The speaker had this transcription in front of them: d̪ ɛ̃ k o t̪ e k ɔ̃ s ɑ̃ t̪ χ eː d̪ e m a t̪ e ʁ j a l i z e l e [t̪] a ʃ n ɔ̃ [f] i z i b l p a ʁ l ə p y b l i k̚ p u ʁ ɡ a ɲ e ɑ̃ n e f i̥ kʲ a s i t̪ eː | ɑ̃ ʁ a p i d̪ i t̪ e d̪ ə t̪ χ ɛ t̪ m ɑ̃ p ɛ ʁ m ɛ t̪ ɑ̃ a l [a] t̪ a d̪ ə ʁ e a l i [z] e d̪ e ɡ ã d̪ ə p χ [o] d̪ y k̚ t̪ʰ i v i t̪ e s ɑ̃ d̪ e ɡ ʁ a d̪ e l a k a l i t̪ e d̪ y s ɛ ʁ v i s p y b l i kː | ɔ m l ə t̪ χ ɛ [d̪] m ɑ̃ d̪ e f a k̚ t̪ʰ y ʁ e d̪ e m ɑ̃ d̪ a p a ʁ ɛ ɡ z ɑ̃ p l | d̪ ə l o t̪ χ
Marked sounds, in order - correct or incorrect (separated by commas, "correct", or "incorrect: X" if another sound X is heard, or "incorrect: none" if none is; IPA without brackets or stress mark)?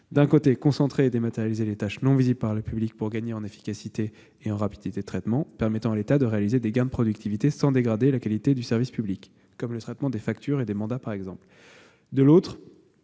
correct, incorrect: v, incorrect: e, correct, incorrect: ɔ, incorrect: t̪